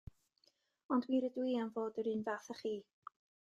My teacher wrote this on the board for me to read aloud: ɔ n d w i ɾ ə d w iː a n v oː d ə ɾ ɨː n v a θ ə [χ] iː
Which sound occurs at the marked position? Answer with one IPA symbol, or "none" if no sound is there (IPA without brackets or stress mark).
χ